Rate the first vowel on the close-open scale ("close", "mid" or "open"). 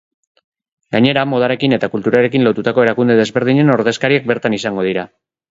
open